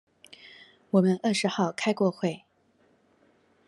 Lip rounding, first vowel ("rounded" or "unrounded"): rounded